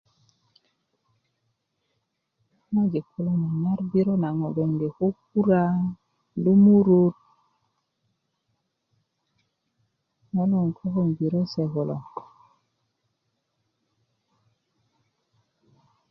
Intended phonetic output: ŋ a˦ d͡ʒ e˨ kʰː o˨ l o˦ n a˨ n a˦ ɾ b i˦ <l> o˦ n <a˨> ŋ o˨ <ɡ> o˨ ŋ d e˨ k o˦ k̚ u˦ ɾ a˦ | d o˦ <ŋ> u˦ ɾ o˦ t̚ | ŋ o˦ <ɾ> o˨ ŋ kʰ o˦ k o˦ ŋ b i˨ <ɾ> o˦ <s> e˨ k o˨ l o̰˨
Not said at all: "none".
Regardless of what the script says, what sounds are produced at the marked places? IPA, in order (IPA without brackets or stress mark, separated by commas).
ɾ, a˨, ɡ, m, l, ɾ, s